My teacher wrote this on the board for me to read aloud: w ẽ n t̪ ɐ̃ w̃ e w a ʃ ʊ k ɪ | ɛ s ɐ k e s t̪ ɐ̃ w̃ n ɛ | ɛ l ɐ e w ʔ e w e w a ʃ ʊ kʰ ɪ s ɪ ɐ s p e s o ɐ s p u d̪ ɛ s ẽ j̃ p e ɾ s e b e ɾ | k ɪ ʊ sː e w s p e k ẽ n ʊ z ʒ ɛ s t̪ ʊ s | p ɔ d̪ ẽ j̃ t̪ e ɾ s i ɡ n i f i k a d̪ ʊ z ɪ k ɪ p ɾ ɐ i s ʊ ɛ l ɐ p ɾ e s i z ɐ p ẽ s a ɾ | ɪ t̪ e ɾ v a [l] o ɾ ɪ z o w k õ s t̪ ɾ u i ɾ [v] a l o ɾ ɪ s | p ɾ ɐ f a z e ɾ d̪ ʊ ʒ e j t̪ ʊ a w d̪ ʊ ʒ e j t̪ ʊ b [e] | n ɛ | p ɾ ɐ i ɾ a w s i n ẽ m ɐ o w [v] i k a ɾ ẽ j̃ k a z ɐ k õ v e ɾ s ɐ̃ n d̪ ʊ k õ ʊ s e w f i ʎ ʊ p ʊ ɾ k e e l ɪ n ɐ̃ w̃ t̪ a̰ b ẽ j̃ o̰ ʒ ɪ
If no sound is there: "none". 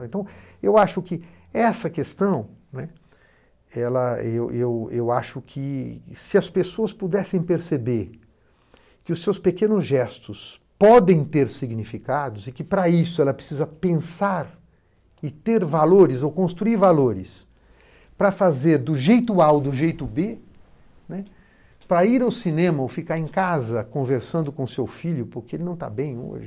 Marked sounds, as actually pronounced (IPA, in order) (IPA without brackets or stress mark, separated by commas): l, v, e, f